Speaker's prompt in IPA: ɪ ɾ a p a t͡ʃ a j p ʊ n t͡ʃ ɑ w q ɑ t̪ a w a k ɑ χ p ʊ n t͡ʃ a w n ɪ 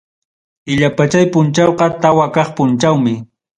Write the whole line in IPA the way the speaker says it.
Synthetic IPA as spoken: ɪ ʎ a p a t͡ʃ a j p ʊ n t͡ʃ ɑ w q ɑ t̪ a w a k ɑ χ p ʊ n t͡ʃ a w m ɪ